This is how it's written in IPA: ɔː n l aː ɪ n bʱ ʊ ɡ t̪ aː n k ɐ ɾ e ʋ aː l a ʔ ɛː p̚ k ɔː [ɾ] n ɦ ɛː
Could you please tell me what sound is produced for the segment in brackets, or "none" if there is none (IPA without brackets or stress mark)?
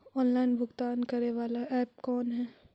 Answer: none